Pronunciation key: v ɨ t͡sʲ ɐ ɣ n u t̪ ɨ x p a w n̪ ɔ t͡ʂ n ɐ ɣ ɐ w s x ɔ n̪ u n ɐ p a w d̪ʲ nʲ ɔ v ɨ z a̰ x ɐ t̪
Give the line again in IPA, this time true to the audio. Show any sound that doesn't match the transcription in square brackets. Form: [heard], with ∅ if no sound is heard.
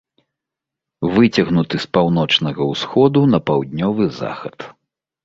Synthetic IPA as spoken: v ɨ t͡sʲ ɐ ɣ n u t̪ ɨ [s] p a w n̪ ɔ t͡ʂ n ɐ ɣ ɐ w s x ɔ [d̪] u n ɐ p a w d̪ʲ nʲ ɔ v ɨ z a̰ x ɐ t̪